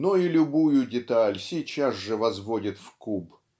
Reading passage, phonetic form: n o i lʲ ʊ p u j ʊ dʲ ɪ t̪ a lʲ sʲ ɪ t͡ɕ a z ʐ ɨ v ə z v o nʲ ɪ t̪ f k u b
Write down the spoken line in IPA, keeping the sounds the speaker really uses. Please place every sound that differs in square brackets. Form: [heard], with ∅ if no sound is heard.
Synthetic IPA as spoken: n o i lʲ ʊ [b] u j ʊ dʲ ɪ t̪ a lʲ sʲ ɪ t͡ɕ a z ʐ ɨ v [ɐ] z v o [dʲ] ɪ t̪ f k u b

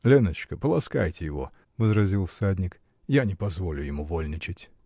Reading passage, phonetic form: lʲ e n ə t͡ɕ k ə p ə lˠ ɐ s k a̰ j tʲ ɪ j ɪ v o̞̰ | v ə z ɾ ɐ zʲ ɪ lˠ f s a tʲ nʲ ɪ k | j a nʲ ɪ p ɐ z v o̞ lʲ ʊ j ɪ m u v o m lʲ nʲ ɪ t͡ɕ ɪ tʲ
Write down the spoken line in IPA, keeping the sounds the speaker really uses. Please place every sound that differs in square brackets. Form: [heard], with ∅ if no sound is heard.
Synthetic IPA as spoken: lʲ e n ə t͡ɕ k ə p ə lˠ ɐ s k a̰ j tʲ ɪ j ɪ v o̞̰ | v ə z ɾ ɐ zʲ [i] lˠ f s a [dʲ] nʲ ɪ k | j a nʲ ɪ p ɐ z v o̞ lʲ ʊ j ɪ m u v o [∅] lʲ nʲ ɪ t͡ɕ ɪ tʲ

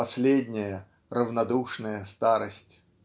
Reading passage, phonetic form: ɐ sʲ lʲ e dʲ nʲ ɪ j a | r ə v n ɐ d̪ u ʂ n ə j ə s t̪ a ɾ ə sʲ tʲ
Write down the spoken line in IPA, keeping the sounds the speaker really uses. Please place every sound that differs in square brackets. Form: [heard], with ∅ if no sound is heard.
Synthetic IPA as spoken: ɐ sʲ lʲ e dʲ nʲ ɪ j [ə] | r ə v n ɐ d̪ u ʂ n ə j ə s t̪ a ɾ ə sʲ tʲ

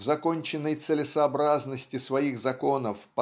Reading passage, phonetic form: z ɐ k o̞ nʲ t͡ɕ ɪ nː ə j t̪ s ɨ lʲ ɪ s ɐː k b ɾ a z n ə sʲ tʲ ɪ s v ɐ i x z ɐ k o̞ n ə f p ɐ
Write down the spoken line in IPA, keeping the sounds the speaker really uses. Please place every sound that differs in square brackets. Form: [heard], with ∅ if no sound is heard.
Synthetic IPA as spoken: z ɐ k o̞ nʲ t͡ɕ ɪ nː ə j t̪ s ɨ lʲ ɪ s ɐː [∅] b ɾ a z n ə sʲ tʲ ɪ s v ɐ i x z ɐ k o̞ n ə f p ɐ

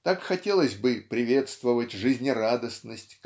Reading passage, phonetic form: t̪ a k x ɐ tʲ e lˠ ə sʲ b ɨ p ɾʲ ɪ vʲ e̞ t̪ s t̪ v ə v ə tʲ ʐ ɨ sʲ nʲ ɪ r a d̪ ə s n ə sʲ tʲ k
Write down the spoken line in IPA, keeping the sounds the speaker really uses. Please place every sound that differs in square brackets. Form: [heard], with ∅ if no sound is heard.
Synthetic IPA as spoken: t̪ a k x ɐ tʲ e lˠ ə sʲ b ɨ p ɾʲ ɪ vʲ e̞ t̪ s t̪ v ə v ə tʲ ʐ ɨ [zʲ] nʲ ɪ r a d̪ ə s n ə sʲ tʲ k

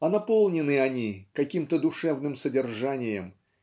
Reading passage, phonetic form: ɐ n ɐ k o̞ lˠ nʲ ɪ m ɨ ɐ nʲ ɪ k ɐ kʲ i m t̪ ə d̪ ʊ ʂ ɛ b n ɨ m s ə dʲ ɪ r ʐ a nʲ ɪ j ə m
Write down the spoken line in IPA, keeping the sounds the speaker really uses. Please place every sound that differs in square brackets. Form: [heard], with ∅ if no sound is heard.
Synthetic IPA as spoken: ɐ n ɐ [p] o̞ lˠ nʲ ɪ [n] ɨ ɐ nʲ [i] k ɐ kʲ i m t̪ ə d̪ ʊ ʂ ɛ [v] n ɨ m s ə dʲ ɪ r ʐ a nʲ ɪ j ə m

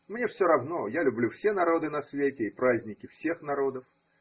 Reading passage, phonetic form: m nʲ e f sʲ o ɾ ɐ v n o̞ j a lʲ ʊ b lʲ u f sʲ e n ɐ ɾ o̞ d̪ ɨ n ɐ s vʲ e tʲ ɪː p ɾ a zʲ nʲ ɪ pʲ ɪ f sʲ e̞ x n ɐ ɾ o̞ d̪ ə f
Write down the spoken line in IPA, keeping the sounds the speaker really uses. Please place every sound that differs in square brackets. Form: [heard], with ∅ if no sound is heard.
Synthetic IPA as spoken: m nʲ e f sʲ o ɾ ɐ v n o̞ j a lʲ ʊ b lʲ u f sʲ e n ɐ ɾ o̞ d̪ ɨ n ɐ s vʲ e tʲ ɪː p ɾ a zʲ nʲ ɪ [kʲ] ɪ f sʲ e̞ x n ɐ ɾ o̞ d̪ ə f

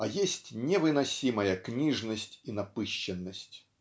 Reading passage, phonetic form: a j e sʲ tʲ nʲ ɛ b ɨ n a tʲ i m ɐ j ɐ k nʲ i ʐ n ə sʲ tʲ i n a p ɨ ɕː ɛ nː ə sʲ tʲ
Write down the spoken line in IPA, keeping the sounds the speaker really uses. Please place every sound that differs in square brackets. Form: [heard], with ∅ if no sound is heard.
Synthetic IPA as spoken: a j e sʲ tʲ nʲ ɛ [v] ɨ n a [sʲ] i m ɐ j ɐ k nʲ i ʐ n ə sʲ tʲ i n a p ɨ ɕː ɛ nː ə sʲ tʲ

